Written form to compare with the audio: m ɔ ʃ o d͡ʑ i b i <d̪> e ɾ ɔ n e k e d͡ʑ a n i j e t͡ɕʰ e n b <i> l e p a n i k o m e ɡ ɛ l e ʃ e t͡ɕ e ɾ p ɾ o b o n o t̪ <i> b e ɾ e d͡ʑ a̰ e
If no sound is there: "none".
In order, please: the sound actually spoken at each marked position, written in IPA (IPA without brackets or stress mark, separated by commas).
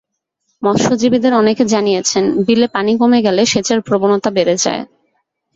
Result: d̪, i, a